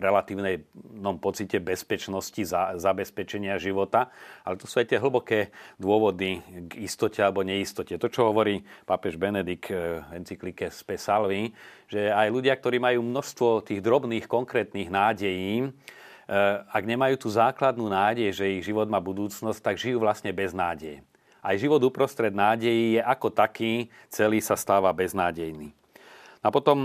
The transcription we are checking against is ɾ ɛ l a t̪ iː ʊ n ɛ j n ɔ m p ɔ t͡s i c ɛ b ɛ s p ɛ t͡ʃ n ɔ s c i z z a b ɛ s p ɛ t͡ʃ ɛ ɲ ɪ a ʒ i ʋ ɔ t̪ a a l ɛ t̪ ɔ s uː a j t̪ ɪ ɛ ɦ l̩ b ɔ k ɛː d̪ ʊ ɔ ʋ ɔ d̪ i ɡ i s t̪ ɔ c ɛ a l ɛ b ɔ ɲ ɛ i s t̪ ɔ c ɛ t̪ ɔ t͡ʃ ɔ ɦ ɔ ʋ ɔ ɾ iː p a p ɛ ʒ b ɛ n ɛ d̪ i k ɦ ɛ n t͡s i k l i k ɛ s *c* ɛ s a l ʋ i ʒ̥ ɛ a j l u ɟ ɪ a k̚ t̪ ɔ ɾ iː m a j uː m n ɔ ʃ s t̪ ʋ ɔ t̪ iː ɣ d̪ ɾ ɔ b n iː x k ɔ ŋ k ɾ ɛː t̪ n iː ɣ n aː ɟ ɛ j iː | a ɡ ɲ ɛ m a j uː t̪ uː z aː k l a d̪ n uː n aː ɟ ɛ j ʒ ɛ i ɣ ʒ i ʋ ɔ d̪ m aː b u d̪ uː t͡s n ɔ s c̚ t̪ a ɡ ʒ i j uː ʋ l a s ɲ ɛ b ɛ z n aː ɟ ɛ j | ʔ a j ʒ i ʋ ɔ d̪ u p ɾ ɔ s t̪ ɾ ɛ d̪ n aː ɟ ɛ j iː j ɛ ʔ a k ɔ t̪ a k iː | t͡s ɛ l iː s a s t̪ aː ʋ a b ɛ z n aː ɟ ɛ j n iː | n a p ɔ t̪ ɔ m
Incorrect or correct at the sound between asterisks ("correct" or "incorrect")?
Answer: incorrect